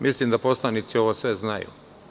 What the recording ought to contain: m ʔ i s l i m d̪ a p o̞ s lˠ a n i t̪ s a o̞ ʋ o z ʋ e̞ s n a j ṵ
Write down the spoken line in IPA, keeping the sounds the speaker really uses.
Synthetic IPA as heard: m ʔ i s l i m d̪ a p o̞ s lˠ a n i t̪ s i o̞ ʋ o s ʋ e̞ z n a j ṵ